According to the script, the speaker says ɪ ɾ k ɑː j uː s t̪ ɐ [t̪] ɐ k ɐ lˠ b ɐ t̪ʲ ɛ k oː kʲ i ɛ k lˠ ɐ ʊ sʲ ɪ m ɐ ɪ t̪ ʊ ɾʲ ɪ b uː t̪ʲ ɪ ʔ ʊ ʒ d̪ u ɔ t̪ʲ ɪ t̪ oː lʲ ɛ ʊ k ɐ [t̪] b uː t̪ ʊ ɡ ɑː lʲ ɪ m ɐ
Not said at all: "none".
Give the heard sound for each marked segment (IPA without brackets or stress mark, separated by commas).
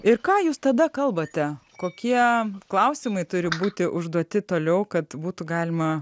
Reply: d̪, t̪